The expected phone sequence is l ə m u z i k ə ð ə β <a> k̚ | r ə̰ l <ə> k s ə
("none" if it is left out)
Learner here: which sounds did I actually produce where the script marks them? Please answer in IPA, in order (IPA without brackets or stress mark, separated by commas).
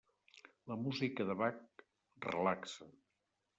a, a